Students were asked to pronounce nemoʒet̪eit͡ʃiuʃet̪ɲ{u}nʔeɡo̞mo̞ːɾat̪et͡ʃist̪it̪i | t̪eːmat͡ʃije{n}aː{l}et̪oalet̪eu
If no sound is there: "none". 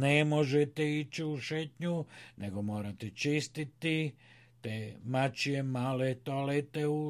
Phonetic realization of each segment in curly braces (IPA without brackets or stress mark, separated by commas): u, m, l